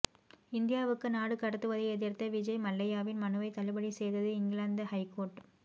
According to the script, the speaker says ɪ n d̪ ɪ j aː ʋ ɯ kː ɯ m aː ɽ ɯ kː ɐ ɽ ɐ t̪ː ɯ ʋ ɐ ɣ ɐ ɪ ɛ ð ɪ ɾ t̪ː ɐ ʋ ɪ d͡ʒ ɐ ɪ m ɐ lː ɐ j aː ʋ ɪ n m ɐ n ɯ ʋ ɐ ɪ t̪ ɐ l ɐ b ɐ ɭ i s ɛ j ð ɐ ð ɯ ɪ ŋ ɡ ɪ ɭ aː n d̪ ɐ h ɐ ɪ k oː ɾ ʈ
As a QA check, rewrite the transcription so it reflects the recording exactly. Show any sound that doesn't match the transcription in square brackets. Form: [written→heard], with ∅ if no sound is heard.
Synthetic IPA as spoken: ɪ n d̪ ɪ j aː ʋ ɯ kː ɯ [m→n] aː ɽ ɯ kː ɐ ɽ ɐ t̪ː ɯ ʋ ɐ [ɣ→ð] ɐ ɪ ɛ ð ɪ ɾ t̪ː ɐ ʋ ɪ d͡ʒ ɐ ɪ m ɐ lː ɐ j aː ʋ ɪ n m ɐ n ɯ ʋ ɐ ɪ t̪ ɐ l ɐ b ɐ [ɭ→ɽ] i s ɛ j ð ɐ ð ɯ ɪ ŋ ɡ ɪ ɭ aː n d̪ ɐ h ɐ ɪ k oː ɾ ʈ